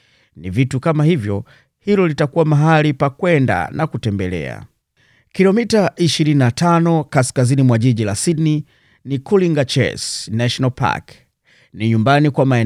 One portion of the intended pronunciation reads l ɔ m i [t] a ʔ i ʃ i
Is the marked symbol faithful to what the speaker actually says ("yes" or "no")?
yes